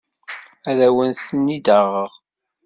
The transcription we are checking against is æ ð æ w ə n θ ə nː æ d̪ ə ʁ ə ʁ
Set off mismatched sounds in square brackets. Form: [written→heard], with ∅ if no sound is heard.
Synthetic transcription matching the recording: æ ð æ w ə n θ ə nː [æ→i] d̪ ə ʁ ə ʁ